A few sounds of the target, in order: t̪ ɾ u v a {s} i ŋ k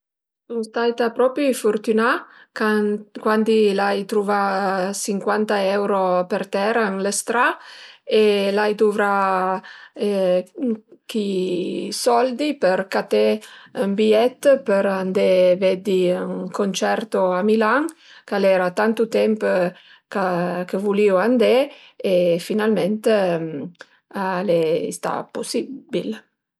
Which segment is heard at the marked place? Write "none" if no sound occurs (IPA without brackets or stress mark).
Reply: s